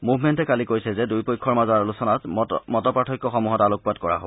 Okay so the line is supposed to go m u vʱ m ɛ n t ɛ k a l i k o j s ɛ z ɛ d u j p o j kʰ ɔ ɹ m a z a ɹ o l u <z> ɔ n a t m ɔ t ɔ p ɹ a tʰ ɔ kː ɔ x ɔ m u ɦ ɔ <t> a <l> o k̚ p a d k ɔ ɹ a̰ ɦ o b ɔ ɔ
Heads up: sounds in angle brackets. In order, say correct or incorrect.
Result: incorrect: s, correct, correct

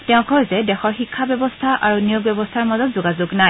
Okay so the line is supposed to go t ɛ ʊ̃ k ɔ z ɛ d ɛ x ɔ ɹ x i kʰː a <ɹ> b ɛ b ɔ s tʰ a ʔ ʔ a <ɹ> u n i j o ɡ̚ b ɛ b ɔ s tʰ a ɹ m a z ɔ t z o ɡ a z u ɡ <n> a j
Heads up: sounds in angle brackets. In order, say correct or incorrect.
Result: incorrect: none, correct, correct

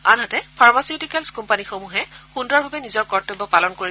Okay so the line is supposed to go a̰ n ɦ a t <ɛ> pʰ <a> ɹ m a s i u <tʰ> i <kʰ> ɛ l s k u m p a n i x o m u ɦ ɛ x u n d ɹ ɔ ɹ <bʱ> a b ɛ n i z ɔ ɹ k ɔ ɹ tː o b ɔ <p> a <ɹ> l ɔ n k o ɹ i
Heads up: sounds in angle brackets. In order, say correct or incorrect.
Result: correct, correct, incorrect: t, incorrect: k, correct, correct, incorrect: none

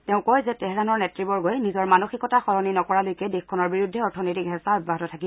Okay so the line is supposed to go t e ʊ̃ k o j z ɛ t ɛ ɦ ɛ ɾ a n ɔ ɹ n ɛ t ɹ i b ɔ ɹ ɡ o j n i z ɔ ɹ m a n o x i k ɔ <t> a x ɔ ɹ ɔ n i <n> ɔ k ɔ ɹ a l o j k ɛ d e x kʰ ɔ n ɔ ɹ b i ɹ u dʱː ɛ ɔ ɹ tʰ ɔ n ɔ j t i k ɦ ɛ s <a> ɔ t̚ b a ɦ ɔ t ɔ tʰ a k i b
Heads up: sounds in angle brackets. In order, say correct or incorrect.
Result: correct, correct, correct

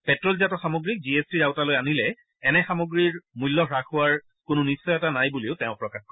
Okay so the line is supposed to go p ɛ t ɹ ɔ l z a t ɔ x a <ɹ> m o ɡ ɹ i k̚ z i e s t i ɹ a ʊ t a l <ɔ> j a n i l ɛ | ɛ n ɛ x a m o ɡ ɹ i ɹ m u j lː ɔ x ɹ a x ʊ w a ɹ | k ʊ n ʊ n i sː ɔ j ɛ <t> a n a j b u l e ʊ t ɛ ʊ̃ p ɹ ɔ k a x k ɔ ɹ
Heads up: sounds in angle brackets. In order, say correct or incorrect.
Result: incorrect: none, incorrect: o, correct

